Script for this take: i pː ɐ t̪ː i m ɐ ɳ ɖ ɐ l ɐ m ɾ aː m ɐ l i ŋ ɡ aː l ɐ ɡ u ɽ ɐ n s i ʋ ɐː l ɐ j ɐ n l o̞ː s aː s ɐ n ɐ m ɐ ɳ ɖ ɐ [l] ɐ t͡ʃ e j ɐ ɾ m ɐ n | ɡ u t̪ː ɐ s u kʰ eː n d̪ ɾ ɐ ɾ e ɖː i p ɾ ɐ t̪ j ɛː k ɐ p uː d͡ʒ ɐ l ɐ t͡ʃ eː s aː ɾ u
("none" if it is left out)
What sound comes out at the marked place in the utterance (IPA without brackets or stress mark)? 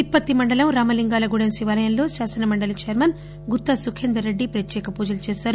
l